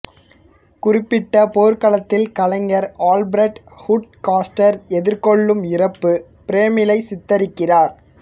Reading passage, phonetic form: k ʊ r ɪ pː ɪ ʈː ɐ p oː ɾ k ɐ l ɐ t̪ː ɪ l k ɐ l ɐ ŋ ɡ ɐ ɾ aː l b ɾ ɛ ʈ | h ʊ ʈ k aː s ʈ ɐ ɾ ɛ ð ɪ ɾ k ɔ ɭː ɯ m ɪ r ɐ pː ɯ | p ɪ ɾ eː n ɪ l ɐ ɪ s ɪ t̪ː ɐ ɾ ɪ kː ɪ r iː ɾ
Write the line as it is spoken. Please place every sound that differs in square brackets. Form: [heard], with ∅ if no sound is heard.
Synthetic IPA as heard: k ʊ r ɪ pː ɪ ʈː ɐ p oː ɾ k ɐ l ɐ t̪ː ɪ l k ɐ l ɐ ŋ ɡ ɐ ɾ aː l b ɾ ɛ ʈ | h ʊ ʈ k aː s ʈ ɐ ɾ ɛ ð ɪ ɾ k ɔ ɭː ɯ m ɪ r ɐ pː ɯ | p ɪ ɾ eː [m] ɪ l ɐ ɪ s ɪ t̪ː ɐ ɾ ɪ kː ɪ r [aː] ɾ